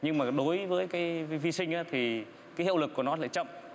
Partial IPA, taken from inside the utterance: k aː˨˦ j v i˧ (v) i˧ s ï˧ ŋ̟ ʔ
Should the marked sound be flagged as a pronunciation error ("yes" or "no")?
no